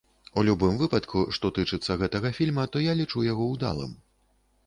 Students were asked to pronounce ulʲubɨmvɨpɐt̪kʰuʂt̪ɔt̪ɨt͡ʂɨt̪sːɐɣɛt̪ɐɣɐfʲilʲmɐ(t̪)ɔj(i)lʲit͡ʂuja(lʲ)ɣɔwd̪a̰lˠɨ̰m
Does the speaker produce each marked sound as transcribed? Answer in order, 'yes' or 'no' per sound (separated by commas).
yes, no, no